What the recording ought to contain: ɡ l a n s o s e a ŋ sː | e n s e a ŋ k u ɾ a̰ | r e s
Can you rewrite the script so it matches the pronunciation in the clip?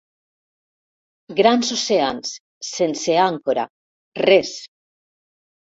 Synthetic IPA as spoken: ɡ ɾ a n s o s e a n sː | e n s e a ŋ k o ɾ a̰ | r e s

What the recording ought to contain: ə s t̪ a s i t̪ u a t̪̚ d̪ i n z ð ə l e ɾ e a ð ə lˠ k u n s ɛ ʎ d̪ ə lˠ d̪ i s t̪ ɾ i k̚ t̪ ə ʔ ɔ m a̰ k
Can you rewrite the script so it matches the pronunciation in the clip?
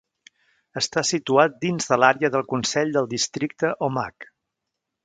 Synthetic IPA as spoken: ə s t̪ a s i t̪ u a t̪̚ d̪ i n z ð ə l a ɾ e ə ð ə lˠ k u n s ɛ ʎ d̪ ə lˠ d̪ i s t̪ ɾ i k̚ t̪ ə ʔ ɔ m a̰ k

